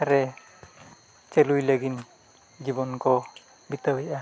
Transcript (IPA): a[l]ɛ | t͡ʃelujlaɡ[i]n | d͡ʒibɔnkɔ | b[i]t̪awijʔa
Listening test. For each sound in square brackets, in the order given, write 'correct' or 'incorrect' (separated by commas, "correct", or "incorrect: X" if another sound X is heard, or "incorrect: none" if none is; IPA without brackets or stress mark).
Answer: incorrect: ɾ, correct, correct